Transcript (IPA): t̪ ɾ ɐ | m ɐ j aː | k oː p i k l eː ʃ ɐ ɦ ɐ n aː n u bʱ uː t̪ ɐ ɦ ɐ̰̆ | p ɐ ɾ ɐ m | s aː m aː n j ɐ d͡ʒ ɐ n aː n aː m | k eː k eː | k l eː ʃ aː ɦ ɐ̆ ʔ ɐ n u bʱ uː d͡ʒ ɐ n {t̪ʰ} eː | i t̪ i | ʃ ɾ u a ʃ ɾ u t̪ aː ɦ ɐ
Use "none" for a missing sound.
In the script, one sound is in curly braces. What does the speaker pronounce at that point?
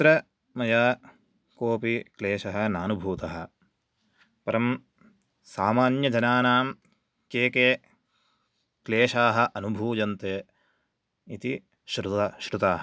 t̪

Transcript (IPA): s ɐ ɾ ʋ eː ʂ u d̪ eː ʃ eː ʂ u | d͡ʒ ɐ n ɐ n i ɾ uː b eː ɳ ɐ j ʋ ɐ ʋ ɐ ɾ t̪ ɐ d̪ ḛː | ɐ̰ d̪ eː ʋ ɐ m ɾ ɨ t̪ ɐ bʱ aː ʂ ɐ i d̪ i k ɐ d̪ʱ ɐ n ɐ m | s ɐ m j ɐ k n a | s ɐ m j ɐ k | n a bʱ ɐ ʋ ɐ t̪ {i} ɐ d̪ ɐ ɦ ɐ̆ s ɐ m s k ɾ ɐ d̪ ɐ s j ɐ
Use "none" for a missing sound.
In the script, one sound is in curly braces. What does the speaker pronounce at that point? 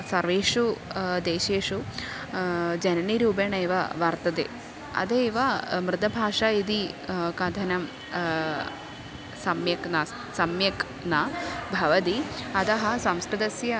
i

